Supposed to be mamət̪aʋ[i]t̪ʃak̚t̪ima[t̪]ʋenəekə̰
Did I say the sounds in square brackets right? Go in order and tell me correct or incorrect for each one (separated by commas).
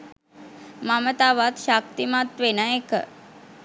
incorrect, correct